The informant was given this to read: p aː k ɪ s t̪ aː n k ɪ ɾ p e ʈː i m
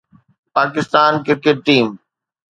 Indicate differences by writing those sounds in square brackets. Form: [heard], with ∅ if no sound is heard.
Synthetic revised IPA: p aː k ɪ s t̪ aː n k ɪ ɾ [k] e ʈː [iː] m